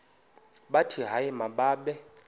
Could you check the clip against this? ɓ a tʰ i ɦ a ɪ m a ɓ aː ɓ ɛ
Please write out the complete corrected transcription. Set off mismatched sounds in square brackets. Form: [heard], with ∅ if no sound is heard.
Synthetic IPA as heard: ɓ a tʰ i ɦ a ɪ m a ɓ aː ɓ ɛ